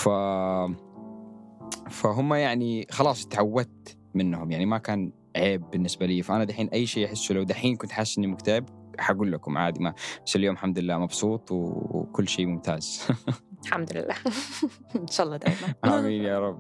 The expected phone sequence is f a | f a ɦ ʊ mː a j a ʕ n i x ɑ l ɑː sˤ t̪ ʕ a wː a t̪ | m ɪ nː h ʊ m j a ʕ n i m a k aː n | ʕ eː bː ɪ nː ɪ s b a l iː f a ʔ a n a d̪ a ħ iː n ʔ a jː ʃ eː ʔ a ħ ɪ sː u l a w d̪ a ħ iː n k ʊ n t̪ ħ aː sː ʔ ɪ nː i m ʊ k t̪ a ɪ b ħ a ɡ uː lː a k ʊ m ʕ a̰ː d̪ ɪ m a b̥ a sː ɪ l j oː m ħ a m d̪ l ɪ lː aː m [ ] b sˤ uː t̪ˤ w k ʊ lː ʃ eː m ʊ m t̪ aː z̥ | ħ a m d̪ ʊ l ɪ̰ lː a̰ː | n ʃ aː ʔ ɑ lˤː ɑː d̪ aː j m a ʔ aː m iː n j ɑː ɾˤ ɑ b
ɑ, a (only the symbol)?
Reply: ɑ